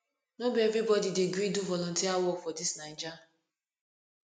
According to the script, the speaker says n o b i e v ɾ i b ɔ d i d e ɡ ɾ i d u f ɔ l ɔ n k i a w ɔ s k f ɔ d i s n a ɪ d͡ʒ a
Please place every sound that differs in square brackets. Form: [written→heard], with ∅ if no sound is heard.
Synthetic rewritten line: n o b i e v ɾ i b ɔ d i d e ɡ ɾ i d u [f→v] ɔ l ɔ n [k→t] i a w ɔ [s→∅] k f ɔ d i s n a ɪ d͡ʒ a